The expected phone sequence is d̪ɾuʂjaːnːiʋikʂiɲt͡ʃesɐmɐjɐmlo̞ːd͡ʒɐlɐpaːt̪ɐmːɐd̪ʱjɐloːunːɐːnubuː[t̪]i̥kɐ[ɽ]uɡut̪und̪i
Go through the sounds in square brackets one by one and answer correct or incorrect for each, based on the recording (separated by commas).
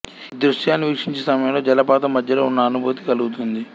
correct, incorrect